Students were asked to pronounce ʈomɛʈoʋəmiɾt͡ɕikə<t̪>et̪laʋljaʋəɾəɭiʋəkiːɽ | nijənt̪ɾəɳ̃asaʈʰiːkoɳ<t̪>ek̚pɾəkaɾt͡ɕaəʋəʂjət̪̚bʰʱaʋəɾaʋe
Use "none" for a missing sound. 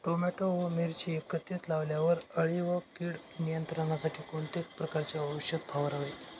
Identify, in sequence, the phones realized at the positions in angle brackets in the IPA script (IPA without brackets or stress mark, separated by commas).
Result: t̪, t̪